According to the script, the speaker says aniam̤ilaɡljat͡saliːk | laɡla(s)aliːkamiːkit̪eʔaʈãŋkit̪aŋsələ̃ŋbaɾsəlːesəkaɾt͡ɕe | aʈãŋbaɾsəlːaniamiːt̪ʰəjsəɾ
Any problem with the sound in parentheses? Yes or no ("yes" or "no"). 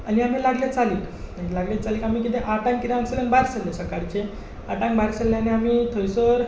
yes